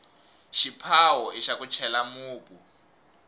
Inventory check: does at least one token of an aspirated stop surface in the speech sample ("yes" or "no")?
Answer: yes